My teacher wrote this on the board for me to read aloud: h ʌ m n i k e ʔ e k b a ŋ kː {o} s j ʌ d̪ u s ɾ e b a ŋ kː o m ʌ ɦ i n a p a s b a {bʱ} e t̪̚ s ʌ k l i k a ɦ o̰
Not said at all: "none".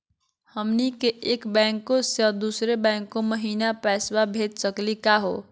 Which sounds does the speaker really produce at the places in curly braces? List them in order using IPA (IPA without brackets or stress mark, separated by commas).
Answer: o, bʱ